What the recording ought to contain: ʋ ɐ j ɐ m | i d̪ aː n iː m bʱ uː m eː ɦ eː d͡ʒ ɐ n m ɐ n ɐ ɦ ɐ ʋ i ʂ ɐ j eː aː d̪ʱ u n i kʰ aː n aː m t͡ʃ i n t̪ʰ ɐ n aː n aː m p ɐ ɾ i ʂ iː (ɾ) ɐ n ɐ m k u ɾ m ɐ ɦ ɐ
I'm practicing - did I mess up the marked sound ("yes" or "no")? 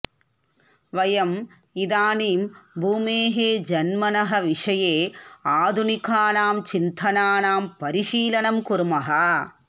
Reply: yes